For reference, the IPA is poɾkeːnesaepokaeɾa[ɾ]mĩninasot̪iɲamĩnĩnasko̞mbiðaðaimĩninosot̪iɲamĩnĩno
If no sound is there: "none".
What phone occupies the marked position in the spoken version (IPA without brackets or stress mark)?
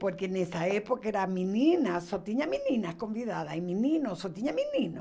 none